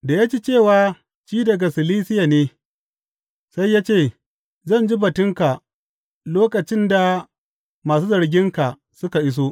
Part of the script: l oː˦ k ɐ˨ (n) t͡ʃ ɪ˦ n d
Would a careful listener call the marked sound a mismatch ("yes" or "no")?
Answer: yes